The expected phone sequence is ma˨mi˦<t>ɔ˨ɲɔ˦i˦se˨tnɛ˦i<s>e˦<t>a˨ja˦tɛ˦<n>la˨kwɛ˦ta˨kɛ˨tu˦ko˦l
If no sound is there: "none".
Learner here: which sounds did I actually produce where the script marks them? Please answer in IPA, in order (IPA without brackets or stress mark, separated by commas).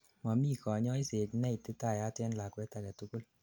k, t, t, n